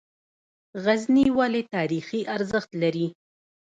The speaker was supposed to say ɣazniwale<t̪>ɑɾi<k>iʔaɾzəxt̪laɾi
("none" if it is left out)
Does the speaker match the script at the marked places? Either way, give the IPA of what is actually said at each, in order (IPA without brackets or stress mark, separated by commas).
t̪, x